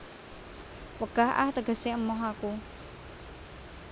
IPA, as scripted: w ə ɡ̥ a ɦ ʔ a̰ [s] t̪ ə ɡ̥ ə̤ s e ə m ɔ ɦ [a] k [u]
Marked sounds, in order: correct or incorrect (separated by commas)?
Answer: incorrect, correct, correct